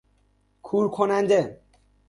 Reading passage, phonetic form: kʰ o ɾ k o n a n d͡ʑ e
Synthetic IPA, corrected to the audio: kʰ u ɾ kʰ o n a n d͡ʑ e

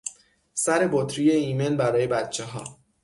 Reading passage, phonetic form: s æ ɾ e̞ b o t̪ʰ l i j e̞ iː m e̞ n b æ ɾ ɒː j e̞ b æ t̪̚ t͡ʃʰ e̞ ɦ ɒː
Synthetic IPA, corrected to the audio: s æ ɾ e̞ b o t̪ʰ ɾ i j e̞ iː m e̞ n b æ ɾ ɒː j e̞ b æ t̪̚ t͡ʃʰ e̞ ɦ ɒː

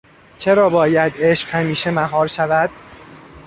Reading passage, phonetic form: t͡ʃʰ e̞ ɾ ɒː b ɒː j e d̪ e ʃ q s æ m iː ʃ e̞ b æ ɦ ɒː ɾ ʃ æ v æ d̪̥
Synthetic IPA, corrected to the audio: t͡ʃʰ e̞ ɾ ɒː b ɒː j æ d̪ e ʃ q h æ m iː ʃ e̞ m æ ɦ ɒː ɾ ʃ æ v æ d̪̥

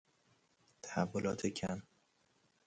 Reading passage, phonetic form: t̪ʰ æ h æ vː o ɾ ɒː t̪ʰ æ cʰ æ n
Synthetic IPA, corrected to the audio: t̪ʰ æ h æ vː o l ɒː t̪ʰ e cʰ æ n

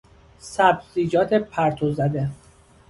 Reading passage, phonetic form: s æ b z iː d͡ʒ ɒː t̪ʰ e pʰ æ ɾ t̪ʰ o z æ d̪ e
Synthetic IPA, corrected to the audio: s æ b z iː d͡ʒ ɒː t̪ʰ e pʰ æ ɾ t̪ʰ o z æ d̪ e

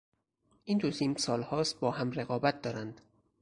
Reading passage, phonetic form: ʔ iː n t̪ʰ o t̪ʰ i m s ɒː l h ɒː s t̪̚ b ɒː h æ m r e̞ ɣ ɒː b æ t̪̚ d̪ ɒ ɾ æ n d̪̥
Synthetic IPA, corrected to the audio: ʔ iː n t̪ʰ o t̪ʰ i m s ɒː l h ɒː s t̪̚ b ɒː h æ m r e̞ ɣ ɒː b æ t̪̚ d̪ ɒː ɾ æ n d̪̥

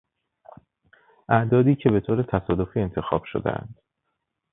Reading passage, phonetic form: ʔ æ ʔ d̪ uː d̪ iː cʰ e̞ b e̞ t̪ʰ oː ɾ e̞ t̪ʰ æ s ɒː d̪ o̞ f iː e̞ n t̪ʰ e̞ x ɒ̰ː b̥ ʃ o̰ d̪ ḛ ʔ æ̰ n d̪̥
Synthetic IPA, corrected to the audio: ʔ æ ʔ d̪ ɒː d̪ iː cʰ e̞ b e̞ t̪ʰ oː ɾ e̞ t̪ʰ æ s ɒː d̪ o̞ f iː e̞ n t̪ʰ e̞ x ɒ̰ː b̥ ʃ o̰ d̪ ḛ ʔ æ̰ n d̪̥

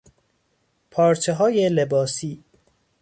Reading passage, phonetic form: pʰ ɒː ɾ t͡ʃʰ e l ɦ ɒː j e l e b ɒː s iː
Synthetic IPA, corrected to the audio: pʰ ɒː ɾ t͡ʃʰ e ɦ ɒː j e l e b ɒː s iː

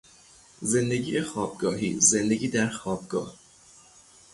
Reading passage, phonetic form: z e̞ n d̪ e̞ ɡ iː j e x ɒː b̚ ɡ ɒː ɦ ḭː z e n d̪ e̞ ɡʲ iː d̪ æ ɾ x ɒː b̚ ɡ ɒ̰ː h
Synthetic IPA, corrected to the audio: z e̞ n d̪ e̞ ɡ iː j e x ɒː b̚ ɡ ɒː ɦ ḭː z e n d̪ e̞ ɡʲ iː d̪ æ ɾ x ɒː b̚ ɡ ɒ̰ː h

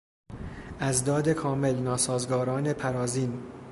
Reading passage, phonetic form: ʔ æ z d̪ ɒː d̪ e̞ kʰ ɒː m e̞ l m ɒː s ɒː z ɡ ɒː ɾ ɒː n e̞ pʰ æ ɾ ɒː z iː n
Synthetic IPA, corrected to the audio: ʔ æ z d̪ ɒː d̪ e̞ kʰ ɒː m e̞ l n ɒː s ɒː z ɡ ɒː ɾ ɒː n e̞ pʰ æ ɾ ɒː z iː n

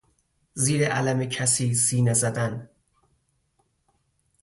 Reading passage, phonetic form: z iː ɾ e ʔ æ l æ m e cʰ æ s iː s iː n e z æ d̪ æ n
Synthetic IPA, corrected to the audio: z iː ɾ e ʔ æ l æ m e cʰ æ s iː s iː n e z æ d̪ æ n

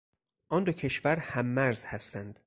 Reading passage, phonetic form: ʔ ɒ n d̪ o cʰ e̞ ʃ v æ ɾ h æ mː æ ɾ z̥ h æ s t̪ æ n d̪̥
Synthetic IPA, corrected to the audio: ʔ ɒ n d̪ o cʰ e̞ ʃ v æ ɾ h æ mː æ ɾ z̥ h æ s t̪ æ n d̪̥

